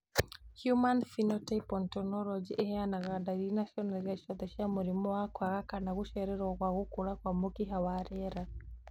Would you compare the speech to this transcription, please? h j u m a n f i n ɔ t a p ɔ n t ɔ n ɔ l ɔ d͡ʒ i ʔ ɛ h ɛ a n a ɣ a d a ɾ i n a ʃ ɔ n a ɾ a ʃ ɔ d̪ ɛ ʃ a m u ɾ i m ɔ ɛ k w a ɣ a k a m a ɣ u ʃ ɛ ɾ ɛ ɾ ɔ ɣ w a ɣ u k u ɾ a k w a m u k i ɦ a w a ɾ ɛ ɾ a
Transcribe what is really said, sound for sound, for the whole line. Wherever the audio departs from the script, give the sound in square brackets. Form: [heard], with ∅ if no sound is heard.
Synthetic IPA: h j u m a n f i n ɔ t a p ɔ n t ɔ n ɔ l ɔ d͡ʒ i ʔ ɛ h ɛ a n a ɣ a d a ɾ i n a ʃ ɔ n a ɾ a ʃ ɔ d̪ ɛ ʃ a m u ɾ i m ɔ [a] k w a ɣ a k a [n] a ɣ u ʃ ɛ ɾ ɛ ɾ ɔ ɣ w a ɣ u k u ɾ a k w a m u k i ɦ a w a ɾ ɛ ɾ a